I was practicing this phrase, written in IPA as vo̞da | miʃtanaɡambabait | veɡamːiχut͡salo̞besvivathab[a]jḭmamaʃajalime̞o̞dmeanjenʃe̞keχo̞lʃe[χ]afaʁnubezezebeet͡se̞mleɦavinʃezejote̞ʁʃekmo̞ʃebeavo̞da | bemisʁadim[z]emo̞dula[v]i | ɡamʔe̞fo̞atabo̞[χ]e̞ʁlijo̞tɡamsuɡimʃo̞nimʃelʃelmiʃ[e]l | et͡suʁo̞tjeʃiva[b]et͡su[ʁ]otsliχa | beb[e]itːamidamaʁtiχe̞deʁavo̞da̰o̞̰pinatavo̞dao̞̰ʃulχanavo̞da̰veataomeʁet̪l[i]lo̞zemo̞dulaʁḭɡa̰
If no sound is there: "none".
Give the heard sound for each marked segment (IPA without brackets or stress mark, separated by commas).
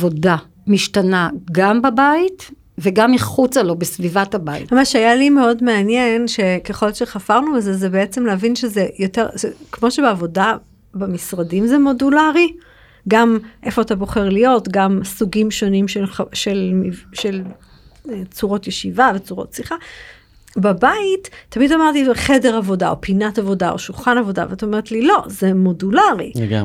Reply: a, χ, z, ʁ, χ, e, v, ʁ, a, i